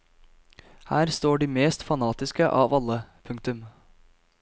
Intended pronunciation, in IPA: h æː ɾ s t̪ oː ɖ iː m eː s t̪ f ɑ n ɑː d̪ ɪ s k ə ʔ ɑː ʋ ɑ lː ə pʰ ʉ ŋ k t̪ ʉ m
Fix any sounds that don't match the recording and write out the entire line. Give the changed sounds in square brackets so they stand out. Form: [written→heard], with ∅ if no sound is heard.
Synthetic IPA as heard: h æː ɾ s t̪ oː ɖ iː m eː s t̪ f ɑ n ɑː [d̪→t̪] ɪ s k ə ʔ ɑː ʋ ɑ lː ə pʰ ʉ ŋ k t̪ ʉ m

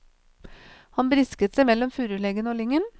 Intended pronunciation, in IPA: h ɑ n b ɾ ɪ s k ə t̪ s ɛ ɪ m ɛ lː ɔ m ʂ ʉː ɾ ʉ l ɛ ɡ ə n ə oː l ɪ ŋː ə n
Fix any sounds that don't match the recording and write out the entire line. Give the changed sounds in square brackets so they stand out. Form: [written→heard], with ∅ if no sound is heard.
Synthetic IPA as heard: h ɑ n b ɾ ɪ s k ə t̪ s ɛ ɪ m ɛ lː ɔ m [ʂ→f] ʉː ɾ ʉ l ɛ ɡ ə n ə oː l ɪ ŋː ə n

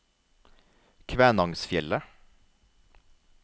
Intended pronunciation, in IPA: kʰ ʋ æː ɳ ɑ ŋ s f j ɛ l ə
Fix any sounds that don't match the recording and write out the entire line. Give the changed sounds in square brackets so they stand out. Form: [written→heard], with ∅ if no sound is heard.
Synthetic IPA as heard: kʰ ʋ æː [ɳ→n] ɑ ŋ s f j ɛ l ə

